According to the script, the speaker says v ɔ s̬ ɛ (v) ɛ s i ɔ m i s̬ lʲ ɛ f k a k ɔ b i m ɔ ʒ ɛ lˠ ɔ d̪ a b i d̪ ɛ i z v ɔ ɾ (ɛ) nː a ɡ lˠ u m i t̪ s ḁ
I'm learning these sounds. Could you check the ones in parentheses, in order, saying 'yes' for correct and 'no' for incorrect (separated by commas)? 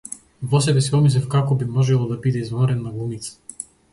no, yes